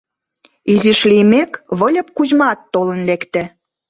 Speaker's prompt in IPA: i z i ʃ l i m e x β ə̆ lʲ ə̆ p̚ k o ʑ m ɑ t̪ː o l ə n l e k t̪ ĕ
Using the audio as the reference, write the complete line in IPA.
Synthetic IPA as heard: i z i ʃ l i m e k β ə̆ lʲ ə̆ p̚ k u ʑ m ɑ t̪ː o l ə n l e k t̪ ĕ